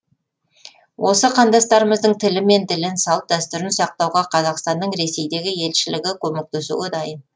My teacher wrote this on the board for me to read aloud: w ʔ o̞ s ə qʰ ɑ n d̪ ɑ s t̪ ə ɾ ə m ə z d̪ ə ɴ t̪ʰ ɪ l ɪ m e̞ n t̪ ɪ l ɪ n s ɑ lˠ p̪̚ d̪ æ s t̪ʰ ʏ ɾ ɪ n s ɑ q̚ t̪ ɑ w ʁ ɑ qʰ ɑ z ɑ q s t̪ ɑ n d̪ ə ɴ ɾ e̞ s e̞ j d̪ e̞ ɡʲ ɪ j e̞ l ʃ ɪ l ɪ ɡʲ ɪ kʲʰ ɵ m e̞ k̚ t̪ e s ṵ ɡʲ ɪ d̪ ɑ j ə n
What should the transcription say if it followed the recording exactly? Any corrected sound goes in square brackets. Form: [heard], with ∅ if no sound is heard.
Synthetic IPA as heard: w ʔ o̞ s ə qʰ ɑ n d̪ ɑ s t̪ [ɑ] ɾ ə m ə z d̪ ə ɴ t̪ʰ ɪ l ɪ m e̞ n t̪ ɪ l ɪ n s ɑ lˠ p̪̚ d̪ æ s [t̪] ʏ ɾ ɪ n s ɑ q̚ t̪ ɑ w ʁ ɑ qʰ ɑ z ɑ q s t̪ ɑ n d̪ ə ɴ ɾ e̞ s e̞ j d̪ e̞ ɡʲ ɪ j e̞ l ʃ ɪ l ɪ ɡʲ ɪ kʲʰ ɵ m e̞ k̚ t̪ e s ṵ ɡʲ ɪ d̪ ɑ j ə n